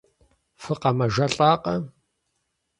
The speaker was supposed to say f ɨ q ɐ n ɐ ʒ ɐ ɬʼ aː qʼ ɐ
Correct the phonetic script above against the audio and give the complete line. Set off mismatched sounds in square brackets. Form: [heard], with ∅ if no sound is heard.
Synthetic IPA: f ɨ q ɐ [m] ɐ ʒ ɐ ɬʼ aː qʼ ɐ